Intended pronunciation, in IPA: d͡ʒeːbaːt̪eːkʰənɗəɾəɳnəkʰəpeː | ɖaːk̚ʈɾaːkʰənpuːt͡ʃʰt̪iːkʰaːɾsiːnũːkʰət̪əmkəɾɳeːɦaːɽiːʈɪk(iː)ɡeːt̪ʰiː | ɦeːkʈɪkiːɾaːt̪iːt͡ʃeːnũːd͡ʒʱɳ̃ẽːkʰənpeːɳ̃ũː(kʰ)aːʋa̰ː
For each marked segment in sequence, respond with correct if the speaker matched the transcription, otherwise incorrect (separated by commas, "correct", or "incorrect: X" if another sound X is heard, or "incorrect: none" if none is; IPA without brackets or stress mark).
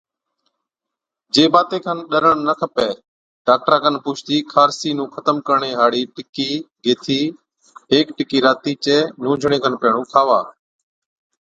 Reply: correct, correct